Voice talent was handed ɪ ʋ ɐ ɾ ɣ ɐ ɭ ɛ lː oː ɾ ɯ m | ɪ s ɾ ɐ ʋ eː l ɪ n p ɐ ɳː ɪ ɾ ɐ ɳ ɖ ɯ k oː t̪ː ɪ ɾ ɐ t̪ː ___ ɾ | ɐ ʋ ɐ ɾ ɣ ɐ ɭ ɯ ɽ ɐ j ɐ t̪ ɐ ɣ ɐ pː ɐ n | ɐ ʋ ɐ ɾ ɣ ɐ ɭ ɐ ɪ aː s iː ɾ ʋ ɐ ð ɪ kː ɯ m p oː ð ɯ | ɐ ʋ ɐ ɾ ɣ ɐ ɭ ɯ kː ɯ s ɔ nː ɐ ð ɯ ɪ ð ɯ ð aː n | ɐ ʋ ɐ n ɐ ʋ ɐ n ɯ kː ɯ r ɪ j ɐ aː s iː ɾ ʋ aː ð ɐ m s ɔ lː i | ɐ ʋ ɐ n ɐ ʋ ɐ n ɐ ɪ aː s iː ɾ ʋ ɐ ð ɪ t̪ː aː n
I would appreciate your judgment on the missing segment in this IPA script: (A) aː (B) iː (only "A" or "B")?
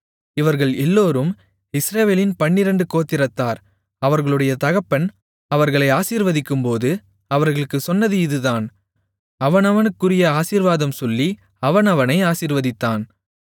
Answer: A